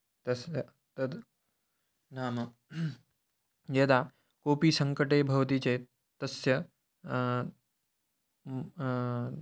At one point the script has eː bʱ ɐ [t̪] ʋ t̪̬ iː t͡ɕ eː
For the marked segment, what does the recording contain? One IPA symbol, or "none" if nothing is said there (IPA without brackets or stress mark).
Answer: none